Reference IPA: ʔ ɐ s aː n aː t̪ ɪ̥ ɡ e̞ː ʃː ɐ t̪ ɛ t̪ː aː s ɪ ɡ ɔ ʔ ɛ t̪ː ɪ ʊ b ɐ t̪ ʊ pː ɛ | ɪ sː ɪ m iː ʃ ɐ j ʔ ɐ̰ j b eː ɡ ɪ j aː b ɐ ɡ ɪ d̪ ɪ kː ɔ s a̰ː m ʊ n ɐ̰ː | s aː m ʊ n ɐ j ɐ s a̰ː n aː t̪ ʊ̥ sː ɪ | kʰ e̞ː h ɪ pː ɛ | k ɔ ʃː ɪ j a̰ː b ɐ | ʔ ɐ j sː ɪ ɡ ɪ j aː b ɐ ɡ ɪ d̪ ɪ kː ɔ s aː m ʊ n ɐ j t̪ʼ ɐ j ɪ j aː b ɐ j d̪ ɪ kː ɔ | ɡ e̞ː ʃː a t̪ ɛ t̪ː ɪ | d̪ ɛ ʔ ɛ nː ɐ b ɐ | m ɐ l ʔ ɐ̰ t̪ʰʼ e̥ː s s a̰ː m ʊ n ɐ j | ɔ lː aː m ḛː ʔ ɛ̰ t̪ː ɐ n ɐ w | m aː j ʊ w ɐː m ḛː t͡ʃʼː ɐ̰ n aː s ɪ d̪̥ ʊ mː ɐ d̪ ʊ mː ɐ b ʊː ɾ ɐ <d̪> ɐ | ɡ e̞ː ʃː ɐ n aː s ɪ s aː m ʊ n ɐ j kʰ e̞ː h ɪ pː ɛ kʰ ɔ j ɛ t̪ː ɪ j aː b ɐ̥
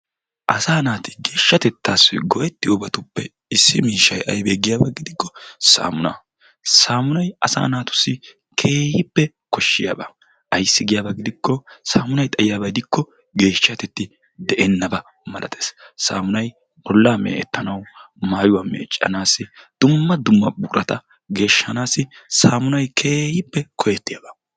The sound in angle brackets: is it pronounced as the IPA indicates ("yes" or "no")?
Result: no